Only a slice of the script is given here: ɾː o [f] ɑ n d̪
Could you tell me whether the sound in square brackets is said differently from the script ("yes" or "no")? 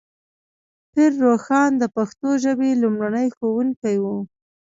yes